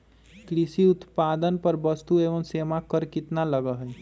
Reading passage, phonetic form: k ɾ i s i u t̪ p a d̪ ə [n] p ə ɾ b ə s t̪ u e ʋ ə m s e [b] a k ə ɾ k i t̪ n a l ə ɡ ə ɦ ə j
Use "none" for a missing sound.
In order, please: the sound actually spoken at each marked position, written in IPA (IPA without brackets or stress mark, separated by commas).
n, m